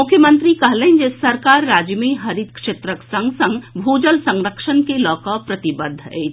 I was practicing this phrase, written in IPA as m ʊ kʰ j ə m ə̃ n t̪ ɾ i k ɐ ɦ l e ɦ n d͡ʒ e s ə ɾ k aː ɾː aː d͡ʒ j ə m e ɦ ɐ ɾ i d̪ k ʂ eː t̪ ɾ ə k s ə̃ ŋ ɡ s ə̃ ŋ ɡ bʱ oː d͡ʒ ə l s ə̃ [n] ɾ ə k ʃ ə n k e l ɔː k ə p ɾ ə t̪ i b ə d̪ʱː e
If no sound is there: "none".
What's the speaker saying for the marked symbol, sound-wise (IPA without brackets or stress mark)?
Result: ŋ